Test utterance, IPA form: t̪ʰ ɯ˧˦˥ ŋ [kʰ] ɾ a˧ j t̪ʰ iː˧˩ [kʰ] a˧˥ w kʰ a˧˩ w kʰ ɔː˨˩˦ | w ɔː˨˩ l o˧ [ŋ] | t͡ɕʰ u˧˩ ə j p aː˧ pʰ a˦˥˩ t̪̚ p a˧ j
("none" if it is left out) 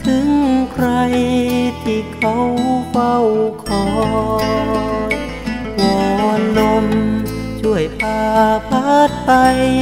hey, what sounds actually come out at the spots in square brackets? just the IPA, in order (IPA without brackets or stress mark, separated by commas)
kʰ, kʰ, m